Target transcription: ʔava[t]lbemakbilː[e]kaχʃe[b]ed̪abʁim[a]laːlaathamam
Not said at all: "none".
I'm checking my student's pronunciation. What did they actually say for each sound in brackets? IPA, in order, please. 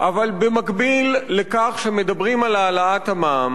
none, e, m, a

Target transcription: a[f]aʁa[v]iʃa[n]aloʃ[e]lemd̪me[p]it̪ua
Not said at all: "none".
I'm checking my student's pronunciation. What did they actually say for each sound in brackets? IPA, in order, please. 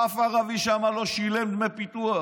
f, v, m, i, p

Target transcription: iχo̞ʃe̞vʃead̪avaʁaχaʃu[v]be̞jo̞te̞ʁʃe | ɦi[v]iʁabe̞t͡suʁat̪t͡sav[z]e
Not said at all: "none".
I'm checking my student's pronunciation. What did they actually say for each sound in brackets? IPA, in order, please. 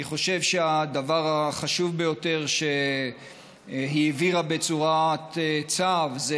v, v, z

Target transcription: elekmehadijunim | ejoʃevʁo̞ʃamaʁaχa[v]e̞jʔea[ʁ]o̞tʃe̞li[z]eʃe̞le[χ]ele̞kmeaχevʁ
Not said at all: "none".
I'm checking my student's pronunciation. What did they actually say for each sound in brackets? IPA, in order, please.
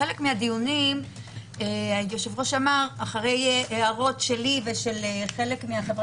ʁ, ʁ, v, χ

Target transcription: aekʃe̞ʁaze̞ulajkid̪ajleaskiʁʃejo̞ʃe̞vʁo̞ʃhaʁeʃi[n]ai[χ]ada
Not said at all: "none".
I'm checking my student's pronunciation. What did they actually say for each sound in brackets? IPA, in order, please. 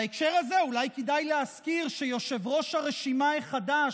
m, χ

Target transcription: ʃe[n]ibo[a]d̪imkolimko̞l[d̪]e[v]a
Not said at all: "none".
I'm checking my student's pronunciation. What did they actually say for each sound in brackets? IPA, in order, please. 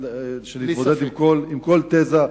n, e, t̪, z

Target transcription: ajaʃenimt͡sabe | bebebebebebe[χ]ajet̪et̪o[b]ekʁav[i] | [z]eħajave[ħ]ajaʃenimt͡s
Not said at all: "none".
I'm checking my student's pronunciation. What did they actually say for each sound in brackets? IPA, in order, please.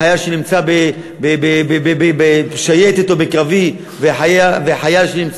ʃ, b, i, v, ħ

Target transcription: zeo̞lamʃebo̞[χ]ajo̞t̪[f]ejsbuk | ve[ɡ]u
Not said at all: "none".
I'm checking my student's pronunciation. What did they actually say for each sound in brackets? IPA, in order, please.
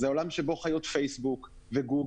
χ, f, ɡ

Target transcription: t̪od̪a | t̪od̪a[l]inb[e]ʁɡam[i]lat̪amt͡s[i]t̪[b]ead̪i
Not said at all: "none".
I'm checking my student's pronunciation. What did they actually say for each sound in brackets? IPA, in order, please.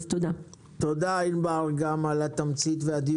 none, a, a, i, v

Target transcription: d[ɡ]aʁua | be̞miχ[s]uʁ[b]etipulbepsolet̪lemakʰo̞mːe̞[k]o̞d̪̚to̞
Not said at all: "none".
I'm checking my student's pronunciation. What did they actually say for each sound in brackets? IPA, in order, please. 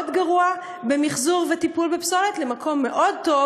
ɡ, z, v, ʔ

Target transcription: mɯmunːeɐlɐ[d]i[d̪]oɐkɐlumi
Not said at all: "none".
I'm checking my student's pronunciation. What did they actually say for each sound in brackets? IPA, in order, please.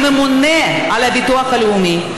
b, t̪

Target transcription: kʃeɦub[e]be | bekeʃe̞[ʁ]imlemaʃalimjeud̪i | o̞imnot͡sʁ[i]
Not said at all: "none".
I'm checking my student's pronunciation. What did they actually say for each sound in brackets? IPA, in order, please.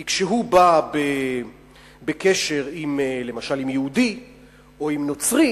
a, ʁ, i

